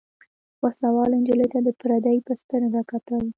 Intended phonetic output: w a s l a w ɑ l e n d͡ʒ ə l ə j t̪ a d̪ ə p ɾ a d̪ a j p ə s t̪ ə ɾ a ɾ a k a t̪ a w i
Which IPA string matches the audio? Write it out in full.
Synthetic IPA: w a s l a w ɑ l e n d͡ʒ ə l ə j t̪ a d̪ ə p ɾ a d̪ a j p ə s t̪ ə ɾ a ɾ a k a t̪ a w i